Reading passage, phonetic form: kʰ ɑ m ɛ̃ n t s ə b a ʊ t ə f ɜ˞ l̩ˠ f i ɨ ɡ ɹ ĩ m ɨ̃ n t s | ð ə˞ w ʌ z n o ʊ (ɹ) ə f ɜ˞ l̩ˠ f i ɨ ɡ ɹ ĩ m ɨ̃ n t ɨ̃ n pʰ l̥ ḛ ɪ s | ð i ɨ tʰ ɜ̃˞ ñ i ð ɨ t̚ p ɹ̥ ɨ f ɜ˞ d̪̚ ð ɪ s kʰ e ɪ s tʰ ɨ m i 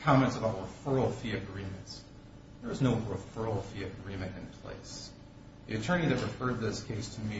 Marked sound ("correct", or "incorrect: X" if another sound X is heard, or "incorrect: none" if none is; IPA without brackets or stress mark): correct